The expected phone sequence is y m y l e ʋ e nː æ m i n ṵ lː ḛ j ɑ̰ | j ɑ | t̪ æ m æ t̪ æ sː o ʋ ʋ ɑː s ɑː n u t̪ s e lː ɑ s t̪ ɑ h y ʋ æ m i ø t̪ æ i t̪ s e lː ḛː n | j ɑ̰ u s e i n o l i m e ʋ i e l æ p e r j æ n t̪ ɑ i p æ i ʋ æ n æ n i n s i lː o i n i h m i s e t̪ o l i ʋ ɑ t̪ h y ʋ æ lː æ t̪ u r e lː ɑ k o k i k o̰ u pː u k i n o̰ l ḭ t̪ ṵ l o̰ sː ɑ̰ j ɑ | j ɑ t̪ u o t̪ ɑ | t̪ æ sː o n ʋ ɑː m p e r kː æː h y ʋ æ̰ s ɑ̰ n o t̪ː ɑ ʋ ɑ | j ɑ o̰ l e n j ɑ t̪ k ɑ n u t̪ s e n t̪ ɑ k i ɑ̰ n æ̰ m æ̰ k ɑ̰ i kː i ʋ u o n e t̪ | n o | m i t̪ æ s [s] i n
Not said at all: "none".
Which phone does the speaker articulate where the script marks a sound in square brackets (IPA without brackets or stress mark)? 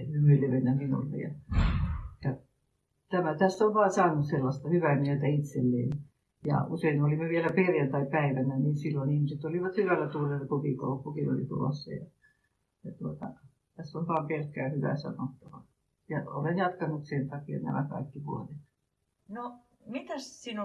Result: s